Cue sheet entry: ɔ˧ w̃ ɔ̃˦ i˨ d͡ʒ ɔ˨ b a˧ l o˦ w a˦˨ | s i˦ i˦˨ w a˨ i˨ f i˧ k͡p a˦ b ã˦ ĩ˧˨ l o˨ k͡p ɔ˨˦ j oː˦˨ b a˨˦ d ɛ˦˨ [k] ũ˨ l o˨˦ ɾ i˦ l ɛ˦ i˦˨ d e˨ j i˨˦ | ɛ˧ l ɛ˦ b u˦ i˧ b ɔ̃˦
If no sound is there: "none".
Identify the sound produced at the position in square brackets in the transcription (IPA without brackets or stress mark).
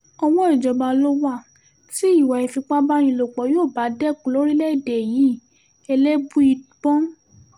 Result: k